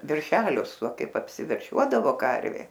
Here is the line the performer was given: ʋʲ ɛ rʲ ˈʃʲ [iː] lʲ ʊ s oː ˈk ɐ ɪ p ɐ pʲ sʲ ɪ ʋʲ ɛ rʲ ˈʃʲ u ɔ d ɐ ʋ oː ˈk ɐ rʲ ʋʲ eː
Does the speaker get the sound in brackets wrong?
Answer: yes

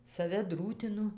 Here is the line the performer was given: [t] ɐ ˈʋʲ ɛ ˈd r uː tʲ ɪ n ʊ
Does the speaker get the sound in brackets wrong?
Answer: yes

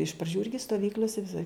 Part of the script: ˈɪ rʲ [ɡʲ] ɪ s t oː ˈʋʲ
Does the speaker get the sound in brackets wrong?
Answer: no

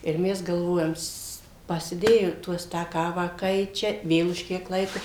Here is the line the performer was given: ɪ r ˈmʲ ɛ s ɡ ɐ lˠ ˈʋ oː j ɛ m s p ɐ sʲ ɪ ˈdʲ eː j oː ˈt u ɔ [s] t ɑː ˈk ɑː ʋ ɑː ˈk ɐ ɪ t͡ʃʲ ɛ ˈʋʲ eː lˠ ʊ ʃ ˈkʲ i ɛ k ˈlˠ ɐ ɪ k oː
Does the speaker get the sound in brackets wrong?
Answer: no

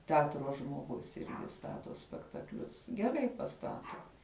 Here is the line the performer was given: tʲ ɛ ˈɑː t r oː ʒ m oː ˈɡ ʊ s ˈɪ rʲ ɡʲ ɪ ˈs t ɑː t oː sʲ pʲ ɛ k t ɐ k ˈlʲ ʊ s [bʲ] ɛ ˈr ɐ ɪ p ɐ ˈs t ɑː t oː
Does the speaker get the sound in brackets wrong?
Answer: yes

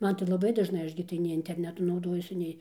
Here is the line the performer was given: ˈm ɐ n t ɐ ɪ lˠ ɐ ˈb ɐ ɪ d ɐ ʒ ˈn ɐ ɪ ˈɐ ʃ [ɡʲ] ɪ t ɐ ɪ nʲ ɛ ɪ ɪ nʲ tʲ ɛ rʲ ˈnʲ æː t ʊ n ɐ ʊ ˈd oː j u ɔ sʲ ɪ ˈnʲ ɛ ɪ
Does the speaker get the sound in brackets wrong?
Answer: no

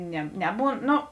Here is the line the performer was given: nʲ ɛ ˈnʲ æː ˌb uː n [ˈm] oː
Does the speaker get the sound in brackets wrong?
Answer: yes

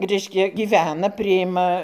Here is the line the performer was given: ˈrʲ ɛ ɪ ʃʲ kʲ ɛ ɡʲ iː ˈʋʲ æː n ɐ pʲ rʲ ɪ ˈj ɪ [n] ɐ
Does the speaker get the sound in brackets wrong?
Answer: yes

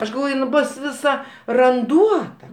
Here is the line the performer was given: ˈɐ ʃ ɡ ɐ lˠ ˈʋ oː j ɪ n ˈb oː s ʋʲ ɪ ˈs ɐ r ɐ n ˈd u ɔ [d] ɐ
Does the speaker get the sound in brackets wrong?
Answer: yes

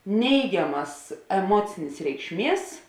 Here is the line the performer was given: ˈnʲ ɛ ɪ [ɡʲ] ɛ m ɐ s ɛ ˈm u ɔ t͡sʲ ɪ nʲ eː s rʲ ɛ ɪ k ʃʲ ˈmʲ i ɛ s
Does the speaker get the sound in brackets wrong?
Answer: no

